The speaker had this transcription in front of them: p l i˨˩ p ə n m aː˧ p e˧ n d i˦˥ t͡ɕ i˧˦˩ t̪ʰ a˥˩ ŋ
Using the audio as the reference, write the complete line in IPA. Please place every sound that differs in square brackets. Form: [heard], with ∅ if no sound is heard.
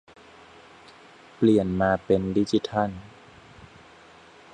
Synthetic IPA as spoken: p l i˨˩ [∅] ə n m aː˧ p e˧ n d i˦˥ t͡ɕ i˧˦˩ t̪ʰ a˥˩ [n]